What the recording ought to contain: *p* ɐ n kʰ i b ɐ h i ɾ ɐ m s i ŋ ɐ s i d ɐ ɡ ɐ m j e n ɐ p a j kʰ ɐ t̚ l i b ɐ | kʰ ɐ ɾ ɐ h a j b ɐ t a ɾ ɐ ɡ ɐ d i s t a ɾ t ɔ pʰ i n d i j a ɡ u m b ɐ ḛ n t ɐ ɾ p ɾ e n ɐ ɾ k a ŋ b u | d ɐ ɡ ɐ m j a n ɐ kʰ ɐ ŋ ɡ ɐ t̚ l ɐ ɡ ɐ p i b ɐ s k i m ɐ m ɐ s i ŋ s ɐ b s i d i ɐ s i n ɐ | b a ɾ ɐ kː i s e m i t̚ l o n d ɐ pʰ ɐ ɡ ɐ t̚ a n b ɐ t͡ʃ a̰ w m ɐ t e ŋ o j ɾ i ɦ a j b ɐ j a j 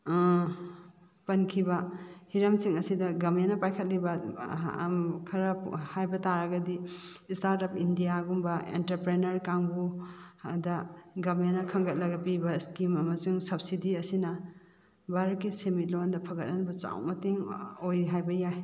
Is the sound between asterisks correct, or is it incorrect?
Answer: correct